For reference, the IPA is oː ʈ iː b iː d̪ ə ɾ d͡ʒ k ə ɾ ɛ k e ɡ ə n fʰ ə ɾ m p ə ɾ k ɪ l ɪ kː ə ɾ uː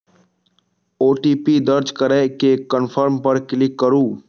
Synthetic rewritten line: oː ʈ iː p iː d̪ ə ɾ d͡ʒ k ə ɾ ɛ k e k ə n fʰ ə ɾ m p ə ɾ k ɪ l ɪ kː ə ɾ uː